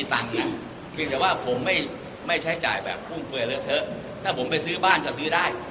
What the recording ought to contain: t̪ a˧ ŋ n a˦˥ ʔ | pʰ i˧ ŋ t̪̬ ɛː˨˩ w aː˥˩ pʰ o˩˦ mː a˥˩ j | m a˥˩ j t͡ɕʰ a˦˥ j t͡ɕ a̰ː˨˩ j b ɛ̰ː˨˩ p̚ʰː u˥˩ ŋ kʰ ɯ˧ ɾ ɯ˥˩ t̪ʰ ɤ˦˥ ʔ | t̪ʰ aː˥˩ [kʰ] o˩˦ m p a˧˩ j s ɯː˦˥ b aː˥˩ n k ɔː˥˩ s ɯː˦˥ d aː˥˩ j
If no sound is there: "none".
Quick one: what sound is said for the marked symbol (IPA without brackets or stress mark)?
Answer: pʰ